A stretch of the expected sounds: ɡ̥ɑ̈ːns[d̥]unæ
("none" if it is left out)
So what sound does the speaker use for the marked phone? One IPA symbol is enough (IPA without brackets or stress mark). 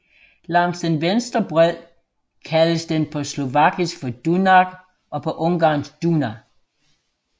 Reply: d̥